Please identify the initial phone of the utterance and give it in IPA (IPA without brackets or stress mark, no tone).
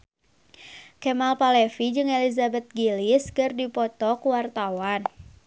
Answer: k